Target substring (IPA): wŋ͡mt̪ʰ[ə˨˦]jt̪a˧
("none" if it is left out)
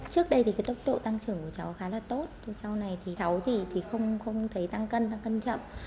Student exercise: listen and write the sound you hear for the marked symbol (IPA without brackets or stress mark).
ə˨˦